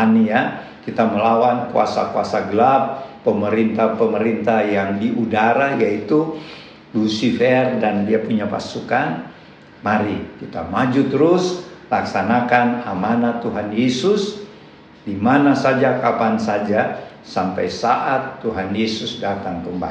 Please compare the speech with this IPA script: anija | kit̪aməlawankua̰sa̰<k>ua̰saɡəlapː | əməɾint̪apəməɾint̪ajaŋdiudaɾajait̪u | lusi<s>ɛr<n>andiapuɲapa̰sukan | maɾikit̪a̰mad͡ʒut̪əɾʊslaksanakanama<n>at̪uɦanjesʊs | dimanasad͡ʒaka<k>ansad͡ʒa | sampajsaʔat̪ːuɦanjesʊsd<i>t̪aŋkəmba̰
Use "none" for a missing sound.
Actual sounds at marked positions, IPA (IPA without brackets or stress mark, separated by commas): k, f, d, n, p, a